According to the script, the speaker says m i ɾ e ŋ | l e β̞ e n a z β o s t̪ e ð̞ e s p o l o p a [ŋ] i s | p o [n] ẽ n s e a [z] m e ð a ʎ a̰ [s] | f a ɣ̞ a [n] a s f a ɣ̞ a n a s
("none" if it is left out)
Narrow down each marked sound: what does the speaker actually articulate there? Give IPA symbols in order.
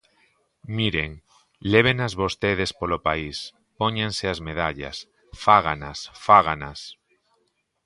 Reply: none, ɲ, z, s, n

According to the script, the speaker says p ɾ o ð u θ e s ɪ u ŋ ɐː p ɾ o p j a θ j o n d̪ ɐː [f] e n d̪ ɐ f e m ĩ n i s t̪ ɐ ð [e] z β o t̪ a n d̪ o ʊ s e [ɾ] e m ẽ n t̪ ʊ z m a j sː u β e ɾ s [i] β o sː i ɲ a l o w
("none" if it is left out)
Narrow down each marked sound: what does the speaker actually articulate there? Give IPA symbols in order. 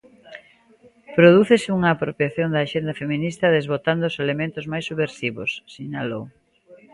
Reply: ʃ, e, l, i

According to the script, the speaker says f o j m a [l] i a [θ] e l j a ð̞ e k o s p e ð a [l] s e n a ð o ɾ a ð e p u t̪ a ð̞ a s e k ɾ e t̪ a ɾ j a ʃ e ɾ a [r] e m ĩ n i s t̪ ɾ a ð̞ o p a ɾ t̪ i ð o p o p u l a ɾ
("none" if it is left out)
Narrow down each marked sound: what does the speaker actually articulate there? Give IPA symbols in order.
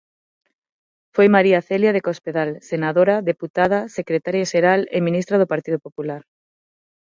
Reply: ɾ, θ, l, l

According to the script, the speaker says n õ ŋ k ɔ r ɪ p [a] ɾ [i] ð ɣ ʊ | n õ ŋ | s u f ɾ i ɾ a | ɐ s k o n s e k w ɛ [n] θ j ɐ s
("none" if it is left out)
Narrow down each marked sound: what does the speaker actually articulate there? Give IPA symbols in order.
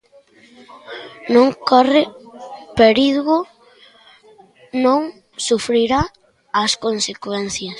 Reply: e, i, n

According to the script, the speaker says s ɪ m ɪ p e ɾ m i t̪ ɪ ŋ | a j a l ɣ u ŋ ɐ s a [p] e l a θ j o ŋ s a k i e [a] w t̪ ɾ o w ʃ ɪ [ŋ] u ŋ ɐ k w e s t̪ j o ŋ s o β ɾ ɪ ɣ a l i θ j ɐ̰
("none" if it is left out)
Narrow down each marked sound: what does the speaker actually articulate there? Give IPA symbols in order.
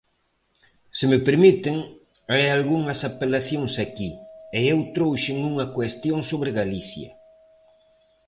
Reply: p, e, ŋ

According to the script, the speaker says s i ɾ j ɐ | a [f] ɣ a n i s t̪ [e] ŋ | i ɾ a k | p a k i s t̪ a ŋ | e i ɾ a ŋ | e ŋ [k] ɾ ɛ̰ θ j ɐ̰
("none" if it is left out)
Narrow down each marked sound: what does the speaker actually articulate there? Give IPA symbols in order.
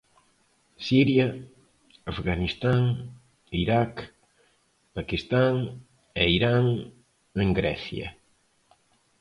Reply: f, a, ɡ

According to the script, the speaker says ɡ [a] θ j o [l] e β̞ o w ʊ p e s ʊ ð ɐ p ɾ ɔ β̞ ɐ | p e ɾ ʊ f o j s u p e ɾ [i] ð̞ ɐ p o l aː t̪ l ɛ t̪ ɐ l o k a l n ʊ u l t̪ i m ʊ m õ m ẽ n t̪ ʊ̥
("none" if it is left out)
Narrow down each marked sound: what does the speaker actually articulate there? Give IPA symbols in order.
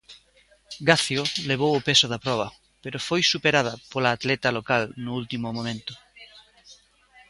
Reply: a, l, a

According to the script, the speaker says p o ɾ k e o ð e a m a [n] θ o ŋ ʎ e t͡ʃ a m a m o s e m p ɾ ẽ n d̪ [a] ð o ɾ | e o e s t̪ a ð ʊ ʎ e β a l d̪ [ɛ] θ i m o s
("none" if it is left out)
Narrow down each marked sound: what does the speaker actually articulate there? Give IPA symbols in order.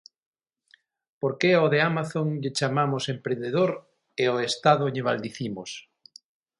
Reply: none, e, i

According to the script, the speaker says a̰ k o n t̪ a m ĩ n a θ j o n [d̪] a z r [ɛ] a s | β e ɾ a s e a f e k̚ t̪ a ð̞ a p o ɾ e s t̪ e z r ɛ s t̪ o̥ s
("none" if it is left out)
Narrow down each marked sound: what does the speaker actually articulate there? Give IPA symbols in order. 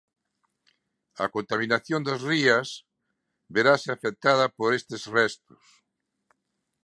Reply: d̪, i

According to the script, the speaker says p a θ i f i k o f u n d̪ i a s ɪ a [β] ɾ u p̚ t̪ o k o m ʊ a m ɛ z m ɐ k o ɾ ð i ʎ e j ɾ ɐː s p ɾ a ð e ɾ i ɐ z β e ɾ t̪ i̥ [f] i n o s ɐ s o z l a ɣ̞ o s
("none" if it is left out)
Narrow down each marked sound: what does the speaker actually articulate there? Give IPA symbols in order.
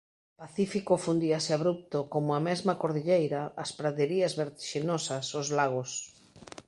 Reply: β, ʃ

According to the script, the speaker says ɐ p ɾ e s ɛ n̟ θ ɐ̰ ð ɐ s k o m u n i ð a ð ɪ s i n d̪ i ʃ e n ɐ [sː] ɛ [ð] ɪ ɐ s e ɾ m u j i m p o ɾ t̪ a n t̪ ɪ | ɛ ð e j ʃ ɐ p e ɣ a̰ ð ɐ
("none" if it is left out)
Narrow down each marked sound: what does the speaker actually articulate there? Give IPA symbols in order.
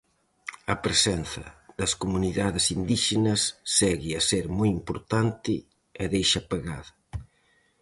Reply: sː, ɣ

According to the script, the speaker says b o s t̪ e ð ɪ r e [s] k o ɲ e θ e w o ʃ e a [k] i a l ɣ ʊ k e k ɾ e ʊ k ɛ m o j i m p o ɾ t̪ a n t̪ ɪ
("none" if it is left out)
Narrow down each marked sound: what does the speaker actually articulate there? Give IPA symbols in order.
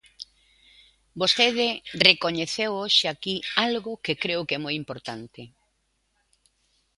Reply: none, k

